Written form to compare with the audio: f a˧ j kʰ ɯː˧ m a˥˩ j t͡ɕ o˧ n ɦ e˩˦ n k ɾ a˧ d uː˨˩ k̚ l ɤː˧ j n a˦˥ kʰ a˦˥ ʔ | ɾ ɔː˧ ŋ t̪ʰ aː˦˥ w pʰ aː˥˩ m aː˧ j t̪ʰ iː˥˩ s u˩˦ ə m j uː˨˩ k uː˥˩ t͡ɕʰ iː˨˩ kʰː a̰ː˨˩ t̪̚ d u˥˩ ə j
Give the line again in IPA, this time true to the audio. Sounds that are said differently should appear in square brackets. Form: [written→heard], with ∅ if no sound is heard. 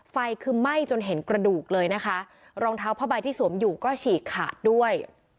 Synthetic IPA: f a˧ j kʰ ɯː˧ m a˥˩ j t͡ɕ o˧ n ɦ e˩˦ n k ɾ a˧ d uː˨˩ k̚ l ɤː˧ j n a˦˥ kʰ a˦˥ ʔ | ɾ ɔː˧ ŋ t̪ʰ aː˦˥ w pʰ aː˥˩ [m→b] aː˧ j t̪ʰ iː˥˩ s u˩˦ ə m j uː˨˩ k [uː˥˩→ɔː˥˩] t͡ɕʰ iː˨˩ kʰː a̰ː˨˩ t̪̚ d u˥˩ ə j